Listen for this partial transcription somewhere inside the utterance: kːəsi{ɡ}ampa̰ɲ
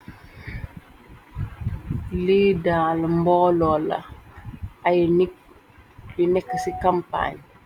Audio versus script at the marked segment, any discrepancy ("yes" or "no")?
yes